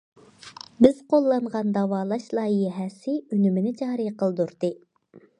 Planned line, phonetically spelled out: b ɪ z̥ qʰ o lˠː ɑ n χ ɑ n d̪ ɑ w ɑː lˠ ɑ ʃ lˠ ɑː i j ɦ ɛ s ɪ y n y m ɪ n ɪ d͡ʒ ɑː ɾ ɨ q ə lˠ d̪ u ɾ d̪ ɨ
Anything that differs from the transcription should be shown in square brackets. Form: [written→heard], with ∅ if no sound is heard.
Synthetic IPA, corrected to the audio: b ɪ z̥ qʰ o lˠː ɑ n [χ→ʁ] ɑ n d̪ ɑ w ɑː lˠ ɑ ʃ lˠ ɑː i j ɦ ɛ s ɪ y n y m ɪ n ɪ d͡ʒ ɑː ɾ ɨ q ə lˠ d̪ u ɾ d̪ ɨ